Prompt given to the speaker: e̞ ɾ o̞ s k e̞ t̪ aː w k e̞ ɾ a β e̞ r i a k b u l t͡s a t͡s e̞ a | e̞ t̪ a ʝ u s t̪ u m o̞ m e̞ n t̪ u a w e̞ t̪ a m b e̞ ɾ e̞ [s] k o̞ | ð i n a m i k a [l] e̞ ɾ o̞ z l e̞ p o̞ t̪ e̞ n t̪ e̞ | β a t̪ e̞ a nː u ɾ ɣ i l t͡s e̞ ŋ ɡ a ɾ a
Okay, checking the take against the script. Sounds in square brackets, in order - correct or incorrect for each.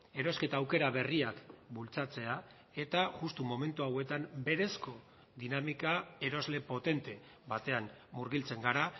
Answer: correct, incorrect: none

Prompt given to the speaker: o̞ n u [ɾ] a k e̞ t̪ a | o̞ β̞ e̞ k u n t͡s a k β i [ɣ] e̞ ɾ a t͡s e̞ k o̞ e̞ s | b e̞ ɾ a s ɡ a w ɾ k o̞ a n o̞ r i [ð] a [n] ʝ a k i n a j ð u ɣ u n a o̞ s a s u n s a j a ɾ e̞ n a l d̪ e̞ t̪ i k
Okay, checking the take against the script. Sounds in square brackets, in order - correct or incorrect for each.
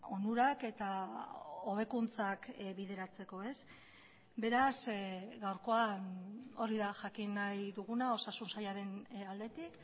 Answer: correct, incorrect: ð, correct, incorrect: none

